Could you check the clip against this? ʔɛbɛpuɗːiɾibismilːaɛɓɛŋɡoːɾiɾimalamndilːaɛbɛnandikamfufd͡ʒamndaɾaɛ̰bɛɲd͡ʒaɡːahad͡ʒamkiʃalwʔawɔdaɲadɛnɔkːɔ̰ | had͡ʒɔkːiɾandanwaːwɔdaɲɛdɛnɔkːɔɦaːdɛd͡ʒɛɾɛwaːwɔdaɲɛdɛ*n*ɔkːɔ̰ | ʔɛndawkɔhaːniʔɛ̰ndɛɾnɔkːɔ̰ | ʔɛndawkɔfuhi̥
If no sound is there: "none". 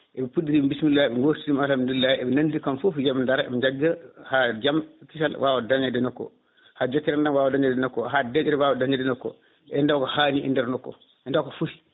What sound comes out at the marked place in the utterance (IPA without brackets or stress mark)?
n